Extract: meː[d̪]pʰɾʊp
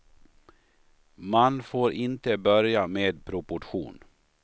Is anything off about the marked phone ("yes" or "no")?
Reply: no